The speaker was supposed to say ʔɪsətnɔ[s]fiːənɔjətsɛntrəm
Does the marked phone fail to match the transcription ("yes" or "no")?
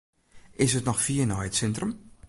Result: yes